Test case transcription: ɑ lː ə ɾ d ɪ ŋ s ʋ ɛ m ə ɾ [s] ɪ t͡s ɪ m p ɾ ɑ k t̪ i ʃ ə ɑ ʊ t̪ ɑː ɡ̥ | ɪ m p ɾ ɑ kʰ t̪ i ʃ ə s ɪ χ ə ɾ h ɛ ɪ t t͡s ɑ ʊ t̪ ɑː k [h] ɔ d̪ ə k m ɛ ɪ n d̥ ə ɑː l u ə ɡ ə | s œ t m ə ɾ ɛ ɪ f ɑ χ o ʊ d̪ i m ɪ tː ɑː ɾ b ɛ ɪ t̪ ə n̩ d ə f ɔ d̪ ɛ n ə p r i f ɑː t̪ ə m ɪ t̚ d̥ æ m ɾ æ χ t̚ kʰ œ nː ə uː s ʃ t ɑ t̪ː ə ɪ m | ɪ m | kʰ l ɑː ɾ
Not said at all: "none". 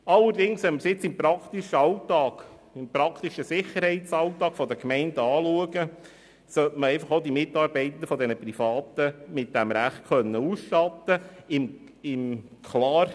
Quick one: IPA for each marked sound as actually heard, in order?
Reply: s, f

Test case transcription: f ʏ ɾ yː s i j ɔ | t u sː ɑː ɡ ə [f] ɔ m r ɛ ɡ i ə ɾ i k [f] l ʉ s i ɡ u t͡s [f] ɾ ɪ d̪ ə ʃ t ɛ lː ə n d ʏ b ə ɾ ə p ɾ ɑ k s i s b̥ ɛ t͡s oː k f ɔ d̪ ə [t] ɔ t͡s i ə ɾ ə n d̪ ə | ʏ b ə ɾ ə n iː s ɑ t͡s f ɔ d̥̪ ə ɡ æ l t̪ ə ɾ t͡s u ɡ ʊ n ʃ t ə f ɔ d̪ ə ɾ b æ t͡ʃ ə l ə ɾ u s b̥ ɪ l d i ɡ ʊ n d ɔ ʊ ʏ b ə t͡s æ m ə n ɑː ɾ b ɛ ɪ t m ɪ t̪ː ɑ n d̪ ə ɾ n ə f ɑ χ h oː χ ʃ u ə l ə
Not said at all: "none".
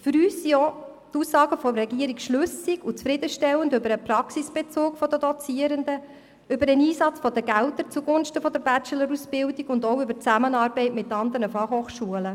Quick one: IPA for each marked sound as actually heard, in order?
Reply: f, ʃ, f, d

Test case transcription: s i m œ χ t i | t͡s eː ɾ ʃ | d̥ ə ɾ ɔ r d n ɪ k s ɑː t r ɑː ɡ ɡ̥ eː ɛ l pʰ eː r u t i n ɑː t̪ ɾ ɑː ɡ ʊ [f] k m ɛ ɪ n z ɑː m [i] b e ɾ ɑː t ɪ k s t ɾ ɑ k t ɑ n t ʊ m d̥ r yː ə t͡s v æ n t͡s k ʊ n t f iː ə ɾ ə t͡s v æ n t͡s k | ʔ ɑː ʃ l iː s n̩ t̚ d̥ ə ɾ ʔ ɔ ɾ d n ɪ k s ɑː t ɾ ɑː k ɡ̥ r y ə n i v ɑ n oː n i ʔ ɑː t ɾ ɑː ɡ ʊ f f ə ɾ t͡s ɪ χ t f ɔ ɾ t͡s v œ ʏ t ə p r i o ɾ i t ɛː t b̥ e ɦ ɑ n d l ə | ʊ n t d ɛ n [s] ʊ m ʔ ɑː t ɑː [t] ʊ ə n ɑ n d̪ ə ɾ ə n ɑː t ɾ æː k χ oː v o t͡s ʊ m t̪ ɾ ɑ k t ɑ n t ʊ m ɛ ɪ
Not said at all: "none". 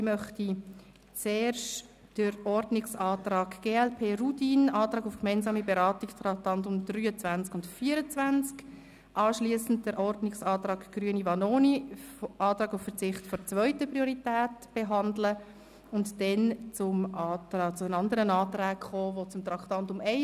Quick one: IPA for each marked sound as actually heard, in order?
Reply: f, i, t͡s, t͡s

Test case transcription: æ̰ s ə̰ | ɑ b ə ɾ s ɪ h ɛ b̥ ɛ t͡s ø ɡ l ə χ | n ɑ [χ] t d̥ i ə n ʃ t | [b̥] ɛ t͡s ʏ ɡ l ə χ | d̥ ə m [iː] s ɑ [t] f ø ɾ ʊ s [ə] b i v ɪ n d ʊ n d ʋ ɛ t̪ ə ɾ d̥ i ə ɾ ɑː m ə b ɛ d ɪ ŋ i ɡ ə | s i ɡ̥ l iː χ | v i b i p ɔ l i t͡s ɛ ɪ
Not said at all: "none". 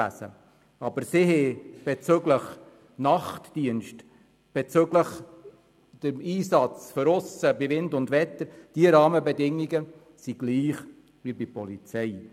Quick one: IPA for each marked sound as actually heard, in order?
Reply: χ, b̥, iː, t͡s, ə

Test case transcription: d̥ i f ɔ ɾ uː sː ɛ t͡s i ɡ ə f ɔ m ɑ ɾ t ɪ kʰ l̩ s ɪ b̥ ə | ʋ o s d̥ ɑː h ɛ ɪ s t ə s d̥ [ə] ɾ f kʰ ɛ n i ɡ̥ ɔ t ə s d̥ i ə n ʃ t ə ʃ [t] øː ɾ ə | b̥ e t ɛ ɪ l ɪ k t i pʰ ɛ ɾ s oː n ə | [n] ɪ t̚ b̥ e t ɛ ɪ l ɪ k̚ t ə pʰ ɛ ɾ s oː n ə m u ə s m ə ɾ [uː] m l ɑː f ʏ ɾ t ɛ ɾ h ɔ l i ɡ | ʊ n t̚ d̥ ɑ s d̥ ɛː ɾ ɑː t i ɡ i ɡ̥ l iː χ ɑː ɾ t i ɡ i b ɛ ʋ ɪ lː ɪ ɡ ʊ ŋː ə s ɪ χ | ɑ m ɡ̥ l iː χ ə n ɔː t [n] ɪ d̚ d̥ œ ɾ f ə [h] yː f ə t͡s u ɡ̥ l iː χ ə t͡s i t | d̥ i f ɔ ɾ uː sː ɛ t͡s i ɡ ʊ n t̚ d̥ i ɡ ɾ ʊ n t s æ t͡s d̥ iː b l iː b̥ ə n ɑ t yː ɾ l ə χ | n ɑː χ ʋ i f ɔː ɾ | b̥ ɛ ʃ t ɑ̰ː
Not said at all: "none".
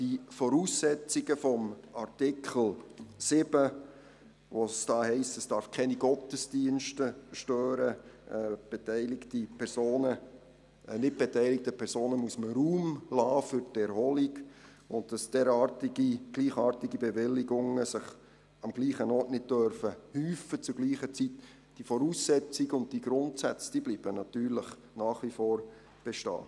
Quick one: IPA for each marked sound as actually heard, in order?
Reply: ɑ, t, n, uː, n, h

